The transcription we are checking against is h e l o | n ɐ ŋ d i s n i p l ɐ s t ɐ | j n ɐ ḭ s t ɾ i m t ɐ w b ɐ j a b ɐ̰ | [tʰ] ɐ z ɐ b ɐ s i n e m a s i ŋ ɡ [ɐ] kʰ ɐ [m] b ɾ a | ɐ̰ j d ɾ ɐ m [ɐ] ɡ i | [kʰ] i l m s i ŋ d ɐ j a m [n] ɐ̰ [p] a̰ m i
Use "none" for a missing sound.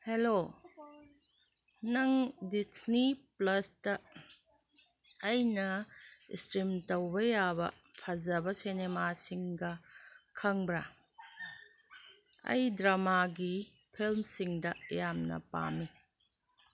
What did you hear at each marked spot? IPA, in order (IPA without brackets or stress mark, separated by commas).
pʰ, ɐ, ŋ, a, pʰ, n, p